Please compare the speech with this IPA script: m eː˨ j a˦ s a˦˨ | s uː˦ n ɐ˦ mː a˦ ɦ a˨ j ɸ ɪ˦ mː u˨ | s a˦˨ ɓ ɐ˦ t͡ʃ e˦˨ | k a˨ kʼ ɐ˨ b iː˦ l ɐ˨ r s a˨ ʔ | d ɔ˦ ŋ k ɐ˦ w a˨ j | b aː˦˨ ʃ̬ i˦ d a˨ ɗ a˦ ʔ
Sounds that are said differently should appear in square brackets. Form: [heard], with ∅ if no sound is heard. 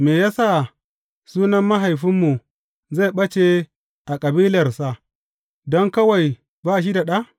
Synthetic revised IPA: m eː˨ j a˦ s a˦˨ | s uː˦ n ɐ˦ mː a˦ ɦ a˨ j ɸ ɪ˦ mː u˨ | [z] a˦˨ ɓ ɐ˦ t͡ʃ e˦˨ | [ʔ] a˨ kʼ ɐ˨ b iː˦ l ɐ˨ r s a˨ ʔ | d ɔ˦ ŋ k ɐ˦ w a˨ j | b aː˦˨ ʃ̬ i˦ d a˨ ɗ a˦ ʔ